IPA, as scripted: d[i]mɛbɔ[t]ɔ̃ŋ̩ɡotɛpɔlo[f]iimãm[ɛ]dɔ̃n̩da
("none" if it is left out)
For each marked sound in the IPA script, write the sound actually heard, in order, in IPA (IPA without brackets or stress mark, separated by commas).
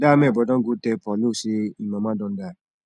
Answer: a, d, s, a